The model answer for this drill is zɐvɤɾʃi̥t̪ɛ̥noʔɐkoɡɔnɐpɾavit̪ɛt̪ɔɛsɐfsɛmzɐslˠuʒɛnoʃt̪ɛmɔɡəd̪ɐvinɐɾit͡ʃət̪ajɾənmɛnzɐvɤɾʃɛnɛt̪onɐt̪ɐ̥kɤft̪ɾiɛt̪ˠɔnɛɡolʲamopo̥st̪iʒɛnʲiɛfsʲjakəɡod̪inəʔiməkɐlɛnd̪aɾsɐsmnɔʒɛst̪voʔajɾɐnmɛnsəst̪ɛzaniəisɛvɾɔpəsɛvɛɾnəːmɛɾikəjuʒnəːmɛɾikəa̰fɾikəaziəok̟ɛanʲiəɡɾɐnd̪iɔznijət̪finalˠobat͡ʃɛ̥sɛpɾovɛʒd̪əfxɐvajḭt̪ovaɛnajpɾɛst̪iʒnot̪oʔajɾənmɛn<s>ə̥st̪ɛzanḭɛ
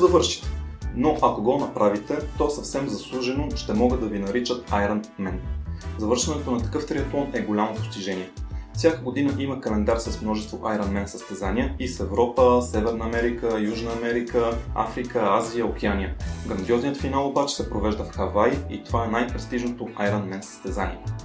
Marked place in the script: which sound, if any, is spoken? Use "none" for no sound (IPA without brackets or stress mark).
s